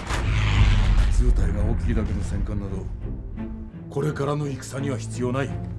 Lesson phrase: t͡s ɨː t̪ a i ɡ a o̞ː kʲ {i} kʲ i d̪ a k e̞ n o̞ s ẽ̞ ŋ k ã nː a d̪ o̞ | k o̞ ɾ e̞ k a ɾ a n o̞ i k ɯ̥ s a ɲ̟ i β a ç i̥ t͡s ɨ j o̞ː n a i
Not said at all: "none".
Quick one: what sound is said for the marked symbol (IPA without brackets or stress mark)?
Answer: i